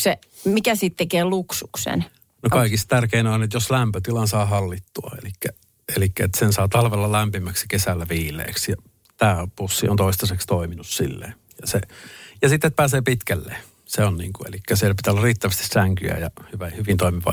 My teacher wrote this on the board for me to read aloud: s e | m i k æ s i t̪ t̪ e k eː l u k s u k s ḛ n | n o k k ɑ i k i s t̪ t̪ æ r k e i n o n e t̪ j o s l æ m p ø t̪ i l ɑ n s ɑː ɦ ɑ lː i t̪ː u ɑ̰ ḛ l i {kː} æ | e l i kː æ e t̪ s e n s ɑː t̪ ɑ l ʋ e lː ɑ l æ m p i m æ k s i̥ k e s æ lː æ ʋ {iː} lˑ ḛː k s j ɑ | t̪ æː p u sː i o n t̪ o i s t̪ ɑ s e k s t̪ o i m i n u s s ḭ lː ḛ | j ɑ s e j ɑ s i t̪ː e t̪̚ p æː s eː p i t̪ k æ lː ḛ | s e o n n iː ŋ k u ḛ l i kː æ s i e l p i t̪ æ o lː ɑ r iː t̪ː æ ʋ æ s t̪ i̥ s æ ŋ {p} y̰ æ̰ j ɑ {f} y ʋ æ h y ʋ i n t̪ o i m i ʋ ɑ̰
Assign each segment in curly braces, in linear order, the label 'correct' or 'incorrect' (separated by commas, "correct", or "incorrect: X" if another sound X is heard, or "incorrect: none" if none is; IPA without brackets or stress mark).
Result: correct, correct, incorrect: k, incorrect: h